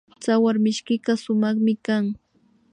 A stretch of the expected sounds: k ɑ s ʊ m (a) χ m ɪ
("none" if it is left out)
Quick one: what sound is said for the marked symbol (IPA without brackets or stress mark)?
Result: ɑ